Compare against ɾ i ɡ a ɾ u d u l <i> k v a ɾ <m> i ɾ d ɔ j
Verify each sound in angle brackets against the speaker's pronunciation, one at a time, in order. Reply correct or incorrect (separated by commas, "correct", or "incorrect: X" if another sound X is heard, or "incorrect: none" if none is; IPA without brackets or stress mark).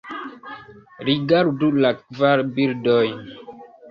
incorrect: a, incorrect: b